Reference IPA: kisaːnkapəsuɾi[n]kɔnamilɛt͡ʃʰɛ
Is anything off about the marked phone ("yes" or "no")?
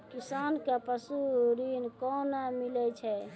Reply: no